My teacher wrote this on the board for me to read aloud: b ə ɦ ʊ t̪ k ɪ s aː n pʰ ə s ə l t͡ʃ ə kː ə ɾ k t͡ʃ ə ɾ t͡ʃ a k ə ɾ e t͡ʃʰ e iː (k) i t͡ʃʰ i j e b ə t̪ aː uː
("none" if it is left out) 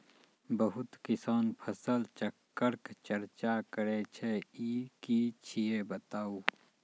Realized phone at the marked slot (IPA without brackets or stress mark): k